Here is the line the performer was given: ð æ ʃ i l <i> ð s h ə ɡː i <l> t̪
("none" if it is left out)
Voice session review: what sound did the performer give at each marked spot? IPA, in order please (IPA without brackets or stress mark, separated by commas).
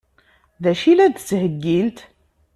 æ, l